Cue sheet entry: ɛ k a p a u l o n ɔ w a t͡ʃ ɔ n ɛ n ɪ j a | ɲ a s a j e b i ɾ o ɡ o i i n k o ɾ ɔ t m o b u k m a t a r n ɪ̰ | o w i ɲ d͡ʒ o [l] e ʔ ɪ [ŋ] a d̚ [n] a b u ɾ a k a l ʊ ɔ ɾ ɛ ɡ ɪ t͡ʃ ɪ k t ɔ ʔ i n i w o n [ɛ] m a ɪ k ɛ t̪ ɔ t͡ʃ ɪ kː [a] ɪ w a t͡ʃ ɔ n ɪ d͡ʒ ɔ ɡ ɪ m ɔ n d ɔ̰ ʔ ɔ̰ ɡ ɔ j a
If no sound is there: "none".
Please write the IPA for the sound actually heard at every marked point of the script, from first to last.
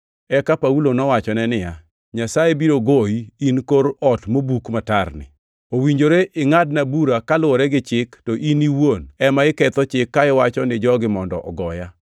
ɾ, ŋ, n, ɛ, a

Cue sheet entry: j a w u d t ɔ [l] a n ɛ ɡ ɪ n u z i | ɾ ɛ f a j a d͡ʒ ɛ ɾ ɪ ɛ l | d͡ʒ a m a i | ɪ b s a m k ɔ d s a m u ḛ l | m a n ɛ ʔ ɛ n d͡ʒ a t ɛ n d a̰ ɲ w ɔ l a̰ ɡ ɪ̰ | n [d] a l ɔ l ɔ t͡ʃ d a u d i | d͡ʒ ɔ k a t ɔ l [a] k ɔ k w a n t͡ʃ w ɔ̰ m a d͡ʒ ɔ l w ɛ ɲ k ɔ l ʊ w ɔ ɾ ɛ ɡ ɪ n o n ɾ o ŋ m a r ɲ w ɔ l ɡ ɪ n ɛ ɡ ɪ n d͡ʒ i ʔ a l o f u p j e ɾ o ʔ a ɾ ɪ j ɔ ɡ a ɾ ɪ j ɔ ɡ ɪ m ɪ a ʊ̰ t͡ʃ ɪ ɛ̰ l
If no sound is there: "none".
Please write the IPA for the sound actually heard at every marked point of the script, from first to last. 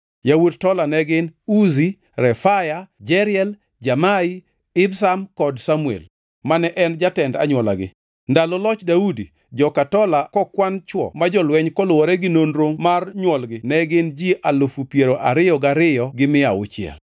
l, d, a

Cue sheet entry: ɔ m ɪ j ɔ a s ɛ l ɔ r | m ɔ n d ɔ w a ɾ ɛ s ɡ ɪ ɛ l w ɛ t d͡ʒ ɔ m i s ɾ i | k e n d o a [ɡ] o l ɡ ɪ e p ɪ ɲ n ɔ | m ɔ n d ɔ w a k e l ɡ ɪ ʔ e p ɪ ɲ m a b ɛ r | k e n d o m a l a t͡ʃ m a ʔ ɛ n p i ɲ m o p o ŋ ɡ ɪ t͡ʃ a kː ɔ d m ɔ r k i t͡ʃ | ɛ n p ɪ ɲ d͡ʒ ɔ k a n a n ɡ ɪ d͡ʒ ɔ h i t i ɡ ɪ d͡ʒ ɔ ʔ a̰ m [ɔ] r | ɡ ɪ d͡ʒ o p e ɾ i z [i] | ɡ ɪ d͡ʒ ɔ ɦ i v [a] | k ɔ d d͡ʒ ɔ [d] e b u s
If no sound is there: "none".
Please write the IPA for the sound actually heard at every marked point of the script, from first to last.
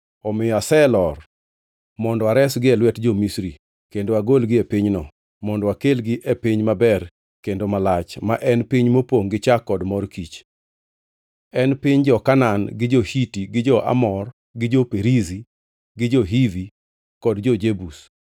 ɡ, ɔ, i, i, d͡ʒ

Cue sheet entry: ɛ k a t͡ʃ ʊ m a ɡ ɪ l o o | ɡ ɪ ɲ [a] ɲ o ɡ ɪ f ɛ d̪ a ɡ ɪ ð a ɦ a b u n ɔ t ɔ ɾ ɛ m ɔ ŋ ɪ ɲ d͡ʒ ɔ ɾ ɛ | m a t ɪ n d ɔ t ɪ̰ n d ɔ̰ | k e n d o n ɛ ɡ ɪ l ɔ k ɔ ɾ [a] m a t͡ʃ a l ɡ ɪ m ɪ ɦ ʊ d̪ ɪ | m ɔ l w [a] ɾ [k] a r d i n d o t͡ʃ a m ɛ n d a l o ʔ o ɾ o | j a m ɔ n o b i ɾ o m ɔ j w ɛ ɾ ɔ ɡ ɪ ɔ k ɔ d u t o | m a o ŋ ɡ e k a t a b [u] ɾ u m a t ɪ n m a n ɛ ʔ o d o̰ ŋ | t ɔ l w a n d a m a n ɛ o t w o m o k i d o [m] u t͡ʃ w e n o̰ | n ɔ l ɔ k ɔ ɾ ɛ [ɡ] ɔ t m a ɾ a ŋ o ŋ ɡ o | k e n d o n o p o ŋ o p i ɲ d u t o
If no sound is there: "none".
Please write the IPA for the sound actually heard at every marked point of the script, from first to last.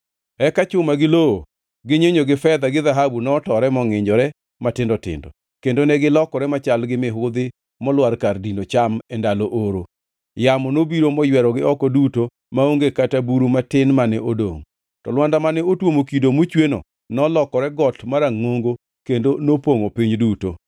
e, ɛ, a, k, u, m, ɡ

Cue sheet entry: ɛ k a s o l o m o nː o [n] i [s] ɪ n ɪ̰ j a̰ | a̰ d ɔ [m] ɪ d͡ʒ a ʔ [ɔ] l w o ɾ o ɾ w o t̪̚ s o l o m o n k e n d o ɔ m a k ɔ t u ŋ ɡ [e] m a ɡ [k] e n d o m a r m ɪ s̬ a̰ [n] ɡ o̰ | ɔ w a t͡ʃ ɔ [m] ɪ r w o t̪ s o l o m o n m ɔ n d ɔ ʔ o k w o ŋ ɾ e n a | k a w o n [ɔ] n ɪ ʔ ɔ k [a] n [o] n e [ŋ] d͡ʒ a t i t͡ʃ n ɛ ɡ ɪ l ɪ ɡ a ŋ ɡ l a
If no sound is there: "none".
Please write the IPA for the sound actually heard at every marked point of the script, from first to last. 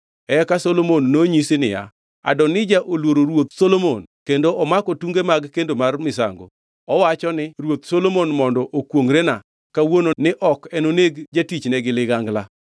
ɲ, s, n, o, e, k, ŋ, n, o, ɛ, o, ɡ

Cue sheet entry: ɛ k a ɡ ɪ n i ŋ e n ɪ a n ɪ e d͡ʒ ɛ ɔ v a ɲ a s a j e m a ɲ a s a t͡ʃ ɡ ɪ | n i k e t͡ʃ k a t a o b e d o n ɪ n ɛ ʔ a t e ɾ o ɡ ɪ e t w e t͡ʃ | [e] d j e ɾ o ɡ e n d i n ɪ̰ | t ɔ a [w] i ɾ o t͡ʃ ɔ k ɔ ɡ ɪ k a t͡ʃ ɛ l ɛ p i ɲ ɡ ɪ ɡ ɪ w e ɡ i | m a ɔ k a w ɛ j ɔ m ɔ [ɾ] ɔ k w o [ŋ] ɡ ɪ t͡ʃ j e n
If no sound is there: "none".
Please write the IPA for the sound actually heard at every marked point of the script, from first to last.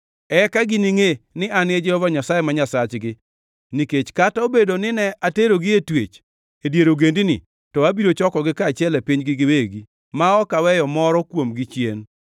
e, b, ɾ, m

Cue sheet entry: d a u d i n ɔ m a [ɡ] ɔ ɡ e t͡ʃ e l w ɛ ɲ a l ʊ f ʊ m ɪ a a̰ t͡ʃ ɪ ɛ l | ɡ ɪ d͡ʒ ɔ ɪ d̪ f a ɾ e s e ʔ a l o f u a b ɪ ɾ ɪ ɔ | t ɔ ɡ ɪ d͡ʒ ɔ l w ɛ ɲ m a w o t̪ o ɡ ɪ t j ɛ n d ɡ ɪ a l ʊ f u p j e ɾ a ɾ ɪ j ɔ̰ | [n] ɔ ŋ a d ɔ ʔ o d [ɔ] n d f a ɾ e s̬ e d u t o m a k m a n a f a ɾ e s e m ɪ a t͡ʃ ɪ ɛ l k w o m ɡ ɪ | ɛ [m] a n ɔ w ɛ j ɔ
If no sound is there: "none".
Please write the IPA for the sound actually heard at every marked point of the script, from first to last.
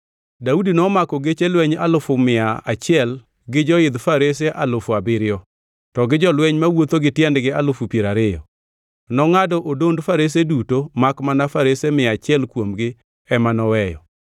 k, n, o, m

